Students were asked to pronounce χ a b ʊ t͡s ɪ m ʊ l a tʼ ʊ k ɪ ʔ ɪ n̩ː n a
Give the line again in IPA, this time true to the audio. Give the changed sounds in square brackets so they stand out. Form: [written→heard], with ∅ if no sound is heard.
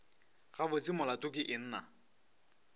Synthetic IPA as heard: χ a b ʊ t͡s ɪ m ʊ l a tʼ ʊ k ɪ ʔ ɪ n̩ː n a